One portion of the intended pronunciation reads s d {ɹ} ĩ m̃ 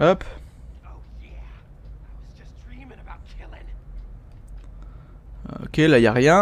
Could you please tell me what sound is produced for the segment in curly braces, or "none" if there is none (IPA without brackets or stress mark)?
ɹ